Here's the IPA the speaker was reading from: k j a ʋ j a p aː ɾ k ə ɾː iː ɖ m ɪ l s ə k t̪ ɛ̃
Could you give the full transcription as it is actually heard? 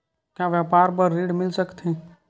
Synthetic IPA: k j a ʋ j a p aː ɾ p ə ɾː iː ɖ m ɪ l s ə k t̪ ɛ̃